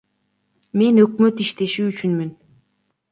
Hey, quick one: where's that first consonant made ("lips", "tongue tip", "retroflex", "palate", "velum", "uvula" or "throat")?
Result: lips